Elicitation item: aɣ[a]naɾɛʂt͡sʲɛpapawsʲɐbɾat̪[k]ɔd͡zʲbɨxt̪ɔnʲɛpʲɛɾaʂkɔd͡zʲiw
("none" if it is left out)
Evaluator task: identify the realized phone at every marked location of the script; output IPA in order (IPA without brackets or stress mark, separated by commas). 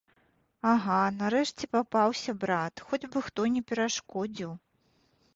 a, x